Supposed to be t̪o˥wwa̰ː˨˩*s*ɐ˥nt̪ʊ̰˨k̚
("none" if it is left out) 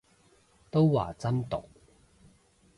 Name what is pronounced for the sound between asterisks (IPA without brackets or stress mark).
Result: t͡s